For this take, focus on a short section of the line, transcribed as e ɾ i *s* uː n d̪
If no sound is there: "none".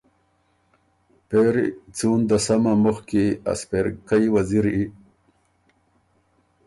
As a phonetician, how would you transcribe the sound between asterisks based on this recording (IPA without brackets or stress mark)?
t͡s